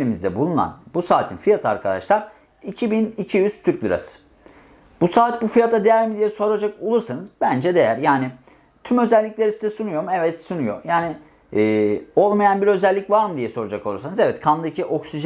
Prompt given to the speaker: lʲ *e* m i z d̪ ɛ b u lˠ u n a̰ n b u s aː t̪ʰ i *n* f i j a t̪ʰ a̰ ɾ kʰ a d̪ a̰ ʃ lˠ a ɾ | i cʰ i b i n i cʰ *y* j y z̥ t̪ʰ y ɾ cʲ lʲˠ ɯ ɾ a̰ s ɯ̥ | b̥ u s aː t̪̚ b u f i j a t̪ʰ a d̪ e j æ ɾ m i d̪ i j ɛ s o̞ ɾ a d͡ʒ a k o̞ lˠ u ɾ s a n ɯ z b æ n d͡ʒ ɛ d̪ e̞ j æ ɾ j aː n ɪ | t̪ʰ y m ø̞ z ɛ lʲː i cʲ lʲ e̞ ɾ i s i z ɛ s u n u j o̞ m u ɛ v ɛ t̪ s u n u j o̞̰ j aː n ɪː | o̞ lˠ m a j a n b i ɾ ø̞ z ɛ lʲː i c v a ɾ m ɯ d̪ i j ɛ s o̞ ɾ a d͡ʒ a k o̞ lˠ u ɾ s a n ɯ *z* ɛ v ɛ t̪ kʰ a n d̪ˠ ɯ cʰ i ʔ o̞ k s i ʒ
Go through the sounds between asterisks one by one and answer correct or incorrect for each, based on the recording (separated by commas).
incorrect, correct, incorrect, correct